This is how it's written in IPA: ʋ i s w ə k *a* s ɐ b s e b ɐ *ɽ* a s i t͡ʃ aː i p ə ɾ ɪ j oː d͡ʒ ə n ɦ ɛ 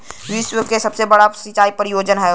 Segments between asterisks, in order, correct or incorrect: incorrect: e, correct

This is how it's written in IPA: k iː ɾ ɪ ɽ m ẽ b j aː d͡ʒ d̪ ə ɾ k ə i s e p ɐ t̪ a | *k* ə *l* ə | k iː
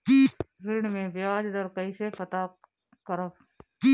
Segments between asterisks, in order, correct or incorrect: correct, incorrect: ɾ

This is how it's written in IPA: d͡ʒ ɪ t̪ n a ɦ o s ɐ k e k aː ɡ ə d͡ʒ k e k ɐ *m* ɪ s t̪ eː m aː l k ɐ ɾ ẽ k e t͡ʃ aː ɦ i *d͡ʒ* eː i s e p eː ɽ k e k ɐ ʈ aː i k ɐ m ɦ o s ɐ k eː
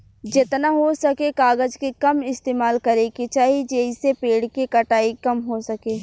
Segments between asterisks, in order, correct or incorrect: correct, correct

